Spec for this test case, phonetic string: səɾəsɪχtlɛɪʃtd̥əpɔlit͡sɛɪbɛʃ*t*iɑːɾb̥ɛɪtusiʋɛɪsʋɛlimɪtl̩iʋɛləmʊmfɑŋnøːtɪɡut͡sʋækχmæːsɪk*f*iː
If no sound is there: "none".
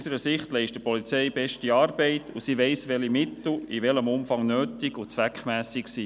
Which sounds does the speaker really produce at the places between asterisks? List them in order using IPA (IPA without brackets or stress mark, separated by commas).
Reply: t, s